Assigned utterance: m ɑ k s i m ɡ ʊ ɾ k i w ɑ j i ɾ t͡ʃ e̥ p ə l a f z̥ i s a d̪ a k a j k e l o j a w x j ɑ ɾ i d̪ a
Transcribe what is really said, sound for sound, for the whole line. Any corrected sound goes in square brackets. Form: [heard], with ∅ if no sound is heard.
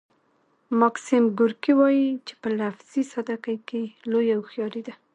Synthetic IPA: m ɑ k s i m ɡ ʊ ɾ k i w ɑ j i [∅] t͡ʃ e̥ p ə l a f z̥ i s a d̪ a k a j k e l o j a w x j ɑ ɾ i d̪ a

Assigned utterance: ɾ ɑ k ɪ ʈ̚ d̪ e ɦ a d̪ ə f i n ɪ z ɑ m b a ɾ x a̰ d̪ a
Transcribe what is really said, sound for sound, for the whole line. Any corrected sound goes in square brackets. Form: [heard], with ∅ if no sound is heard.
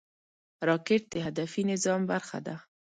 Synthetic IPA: ɾ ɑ k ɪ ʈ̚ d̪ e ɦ a d̪ [a] f i n ɪ z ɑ m b a ɾ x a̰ d̪ a

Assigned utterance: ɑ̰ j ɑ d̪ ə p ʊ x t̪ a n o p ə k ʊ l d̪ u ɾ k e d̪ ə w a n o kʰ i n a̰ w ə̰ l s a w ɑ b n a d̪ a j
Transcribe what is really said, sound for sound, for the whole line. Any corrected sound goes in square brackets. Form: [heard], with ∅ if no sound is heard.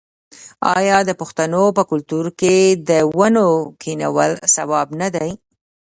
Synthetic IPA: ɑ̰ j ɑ d̪ ə p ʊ x t̪ a n o p ə k ʊ l [t̪] u ɾ k e d̪ ə w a n o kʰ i n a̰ w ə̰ l s a w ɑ b n a d̪ a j

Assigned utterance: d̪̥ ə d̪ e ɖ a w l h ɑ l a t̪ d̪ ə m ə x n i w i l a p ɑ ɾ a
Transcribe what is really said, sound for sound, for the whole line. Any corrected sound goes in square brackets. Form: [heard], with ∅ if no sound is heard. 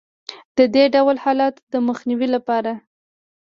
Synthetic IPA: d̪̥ ə d̪ e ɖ a w l h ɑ l [ɑ] t̪ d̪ ə m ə x n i w i l a p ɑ ɾ a

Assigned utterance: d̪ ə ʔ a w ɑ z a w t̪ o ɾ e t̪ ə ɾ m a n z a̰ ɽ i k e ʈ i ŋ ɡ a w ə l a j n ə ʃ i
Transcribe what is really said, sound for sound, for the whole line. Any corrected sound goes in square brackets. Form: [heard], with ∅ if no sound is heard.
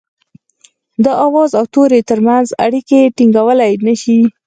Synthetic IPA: d̪ ə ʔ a w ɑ z a w t̪ o ɾ e t̪ ə ɾ m a n z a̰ ɽ i k e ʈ i ŋ ɡ a w ə l a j n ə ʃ i

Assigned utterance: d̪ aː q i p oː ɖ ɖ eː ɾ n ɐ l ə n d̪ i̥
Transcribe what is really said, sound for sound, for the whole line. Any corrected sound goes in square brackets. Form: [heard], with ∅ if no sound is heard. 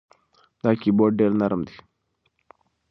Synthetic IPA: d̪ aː [k] i [b] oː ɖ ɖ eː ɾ n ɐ [ɾ] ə [m] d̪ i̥

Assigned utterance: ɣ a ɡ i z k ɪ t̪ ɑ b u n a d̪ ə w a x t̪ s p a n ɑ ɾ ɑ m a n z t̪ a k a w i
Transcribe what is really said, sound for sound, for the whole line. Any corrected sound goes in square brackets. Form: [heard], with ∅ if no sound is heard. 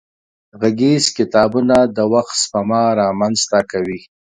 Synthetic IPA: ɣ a ɡ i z k ɪ t̪ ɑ b u n a d̪ ə w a x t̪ s p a [m] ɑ ɾ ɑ m a n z t̪ a k a w i

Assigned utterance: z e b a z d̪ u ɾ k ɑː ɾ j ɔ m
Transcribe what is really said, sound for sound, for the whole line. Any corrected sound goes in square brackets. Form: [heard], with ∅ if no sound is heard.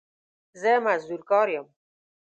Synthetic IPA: z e [m] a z d̪ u ɾ k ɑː ɾ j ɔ m

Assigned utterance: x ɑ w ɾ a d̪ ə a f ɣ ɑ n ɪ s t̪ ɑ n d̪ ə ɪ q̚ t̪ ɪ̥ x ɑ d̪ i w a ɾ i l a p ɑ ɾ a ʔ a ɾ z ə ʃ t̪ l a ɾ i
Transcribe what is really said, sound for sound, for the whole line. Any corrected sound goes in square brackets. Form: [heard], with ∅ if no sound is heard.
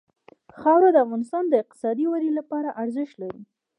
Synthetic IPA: x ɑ w ɾ a d̪ ə a f ɣ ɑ n ɪ s t̪ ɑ n d̪ ə ɪ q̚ t̪ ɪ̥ [s] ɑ d̪ i w a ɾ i l a p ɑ ɾ a ʔ a ɾ z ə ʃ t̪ l a ɾ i

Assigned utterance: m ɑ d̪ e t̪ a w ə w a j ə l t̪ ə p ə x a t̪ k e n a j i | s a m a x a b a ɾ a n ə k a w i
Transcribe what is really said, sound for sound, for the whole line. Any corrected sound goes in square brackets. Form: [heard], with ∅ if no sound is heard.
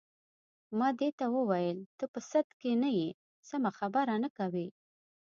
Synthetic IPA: m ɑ d̪ e t̪ a w ə w a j ə l t̪ ə p ə [s] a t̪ k e n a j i | s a m a x a b a ɾ a n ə k a w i

